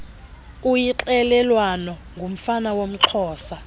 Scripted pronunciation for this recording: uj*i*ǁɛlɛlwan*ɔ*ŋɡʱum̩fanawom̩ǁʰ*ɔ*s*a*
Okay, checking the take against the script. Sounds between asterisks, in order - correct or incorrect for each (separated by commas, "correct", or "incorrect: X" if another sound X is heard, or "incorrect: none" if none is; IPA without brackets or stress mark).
correct, correct, incorrect: ɔː, correct